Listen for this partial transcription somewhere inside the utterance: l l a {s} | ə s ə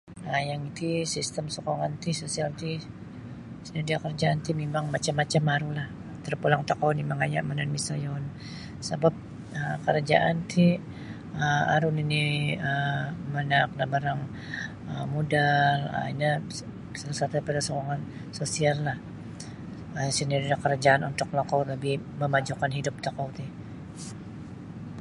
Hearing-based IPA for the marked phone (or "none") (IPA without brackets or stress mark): h